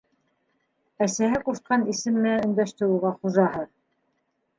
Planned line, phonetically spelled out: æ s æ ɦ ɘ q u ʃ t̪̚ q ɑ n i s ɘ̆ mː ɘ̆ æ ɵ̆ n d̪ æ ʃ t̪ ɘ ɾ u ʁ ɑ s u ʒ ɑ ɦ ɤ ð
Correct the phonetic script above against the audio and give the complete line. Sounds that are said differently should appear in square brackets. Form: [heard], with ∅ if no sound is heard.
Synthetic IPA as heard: æ s æ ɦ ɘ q u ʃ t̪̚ q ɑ n i s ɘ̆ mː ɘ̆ æ ɵ̆ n d̪ æ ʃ t̪ ɘ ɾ u ʁ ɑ [χ] u ʒ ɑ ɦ ɤ ð